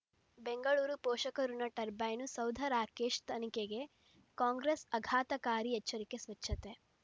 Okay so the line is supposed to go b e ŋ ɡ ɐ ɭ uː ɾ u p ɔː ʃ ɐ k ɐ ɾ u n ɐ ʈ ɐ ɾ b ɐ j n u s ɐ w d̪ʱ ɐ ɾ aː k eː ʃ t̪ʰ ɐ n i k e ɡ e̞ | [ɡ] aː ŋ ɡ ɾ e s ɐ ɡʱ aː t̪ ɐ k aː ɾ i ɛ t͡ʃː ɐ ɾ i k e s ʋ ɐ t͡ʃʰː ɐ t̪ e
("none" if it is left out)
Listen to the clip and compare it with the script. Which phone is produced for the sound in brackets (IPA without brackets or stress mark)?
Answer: k